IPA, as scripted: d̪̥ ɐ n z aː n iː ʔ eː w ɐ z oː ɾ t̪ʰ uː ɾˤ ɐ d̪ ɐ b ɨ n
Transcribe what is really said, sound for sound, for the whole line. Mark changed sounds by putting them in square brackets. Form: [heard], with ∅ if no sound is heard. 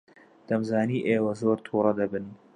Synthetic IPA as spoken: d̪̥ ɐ [m] z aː n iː ʔ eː w ɐ z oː ɾ t̪ʰ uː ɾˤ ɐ d̪ ɐ b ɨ n